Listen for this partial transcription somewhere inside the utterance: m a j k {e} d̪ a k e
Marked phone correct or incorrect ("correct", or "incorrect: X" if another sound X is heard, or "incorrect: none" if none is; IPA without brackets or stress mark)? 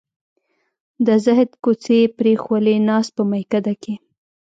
incorrect: a